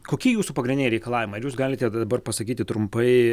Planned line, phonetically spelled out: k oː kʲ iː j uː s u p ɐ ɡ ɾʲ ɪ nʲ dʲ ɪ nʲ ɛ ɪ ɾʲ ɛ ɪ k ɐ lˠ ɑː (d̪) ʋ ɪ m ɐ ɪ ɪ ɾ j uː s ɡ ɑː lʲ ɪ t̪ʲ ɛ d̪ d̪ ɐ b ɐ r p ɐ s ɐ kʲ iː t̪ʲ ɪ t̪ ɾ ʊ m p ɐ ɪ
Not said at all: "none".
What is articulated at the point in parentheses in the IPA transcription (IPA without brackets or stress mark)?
none